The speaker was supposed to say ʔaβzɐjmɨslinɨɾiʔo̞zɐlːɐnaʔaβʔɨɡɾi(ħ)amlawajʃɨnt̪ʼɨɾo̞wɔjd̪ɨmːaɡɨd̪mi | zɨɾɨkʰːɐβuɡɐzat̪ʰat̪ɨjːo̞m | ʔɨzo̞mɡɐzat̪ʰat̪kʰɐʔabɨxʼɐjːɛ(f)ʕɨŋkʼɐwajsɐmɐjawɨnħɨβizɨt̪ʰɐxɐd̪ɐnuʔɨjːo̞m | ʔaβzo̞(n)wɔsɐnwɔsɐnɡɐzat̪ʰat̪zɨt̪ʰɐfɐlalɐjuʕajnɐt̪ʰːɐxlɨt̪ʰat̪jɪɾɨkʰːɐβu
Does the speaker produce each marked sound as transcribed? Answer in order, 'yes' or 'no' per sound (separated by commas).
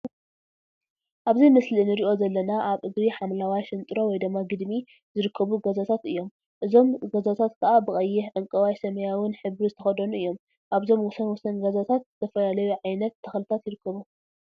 yes, no, no